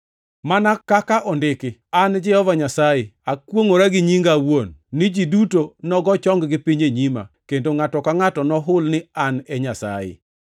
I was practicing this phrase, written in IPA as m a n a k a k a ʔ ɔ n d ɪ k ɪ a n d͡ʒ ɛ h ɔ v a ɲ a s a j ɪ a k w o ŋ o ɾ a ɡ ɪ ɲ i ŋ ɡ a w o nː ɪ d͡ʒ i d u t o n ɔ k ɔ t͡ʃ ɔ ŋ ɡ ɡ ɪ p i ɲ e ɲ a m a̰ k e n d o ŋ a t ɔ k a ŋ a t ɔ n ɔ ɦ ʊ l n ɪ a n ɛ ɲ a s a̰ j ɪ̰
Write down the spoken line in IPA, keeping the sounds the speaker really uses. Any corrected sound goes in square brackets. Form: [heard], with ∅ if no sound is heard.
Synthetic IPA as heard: m a n a k a k a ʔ ɔ n d ɪ k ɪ a n d͡ʒ ɛ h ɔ v a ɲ a s a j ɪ a k w o ŋ o ɾ a ɡ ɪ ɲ i ŋ ɡ a w o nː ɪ d͡ʒ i d u t o n ɔ [ɡ] ɔ t͡ʃ ɔ ŋ ɡ ɡ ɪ p i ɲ e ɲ [i] m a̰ k e n d o ŋ a t ɔ k a ŋ a t ɔ n ɔ ɦ ʊ l n ɪ a n ɛ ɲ a s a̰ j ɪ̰